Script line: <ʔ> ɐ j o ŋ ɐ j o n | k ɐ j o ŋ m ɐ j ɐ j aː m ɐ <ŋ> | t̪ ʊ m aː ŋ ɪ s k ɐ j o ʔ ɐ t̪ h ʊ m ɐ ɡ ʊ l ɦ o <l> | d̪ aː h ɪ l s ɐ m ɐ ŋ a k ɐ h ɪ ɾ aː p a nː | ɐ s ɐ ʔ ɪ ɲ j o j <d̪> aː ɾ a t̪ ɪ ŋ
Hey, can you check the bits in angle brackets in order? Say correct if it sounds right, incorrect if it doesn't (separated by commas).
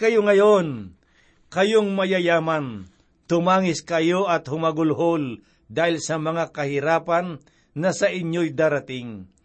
incorrect, incorrect, correct, correct